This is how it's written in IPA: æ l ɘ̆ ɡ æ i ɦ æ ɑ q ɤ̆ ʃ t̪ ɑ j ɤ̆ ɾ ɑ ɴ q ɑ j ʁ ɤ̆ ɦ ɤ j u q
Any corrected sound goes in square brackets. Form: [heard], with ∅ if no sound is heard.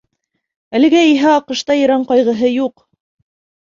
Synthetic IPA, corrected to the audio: æ l ɘ̆ ɡ æ i ɦ æ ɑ q ɤ̆ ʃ t̪ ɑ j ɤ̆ ɾ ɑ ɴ q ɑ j ʁ ɤ̆ ɦ ɤ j u q